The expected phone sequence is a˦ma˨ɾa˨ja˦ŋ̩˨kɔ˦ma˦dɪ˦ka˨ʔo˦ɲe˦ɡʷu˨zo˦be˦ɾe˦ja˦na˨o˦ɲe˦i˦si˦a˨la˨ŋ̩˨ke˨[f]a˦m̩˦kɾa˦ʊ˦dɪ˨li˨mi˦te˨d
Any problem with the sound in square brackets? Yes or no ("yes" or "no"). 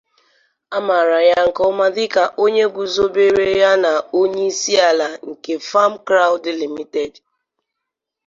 no